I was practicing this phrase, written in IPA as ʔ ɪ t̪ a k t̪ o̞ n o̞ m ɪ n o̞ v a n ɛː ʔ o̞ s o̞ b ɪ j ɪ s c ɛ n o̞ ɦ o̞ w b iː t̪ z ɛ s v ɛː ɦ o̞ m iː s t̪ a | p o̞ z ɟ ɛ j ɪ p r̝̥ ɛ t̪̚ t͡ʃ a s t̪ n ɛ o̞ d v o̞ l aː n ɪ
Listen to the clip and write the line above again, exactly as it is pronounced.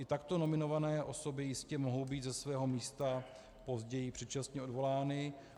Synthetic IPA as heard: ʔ ɪ t̪ a k t̪ o̞ n o̞ m ɪ n o̞ v a n ɛː ʔ o̞ s o̞ b ɪ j ɪ s c ɛ m o̞ ɦ o̞ w b iː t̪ z ɛ s v ɛː ɦ o̞ m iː s t̪ a | p o̞ z ɟ ɛ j ɪ p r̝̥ ɛ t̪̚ t͡ʃ a s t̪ ɲ ɛ o̞ d v o̞ l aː n ɪ